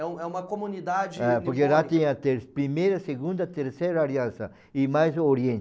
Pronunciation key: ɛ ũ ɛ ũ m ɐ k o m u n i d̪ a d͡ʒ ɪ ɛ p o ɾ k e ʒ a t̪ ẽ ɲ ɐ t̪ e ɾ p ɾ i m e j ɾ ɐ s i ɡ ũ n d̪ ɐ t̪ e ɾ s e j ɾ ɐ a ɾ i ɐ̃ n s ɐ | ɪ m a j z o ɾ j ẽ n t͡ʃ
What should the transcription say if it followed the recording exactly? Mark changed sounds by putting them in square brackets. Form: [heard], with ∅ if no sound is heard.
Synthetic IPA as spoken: ɛ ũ ɛ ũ m ɐ k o m u n i d̪ a d͡ʒ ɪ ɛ p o ɾ k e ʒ a t̪ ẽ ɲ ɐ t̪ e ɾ p ɾ i m e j ɾ ɐ s [e] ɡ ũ n d̪ ɐ t̪ e ɾ s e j ɾ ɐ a ɾ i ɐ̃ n s ɐ | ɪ m a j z o ɾ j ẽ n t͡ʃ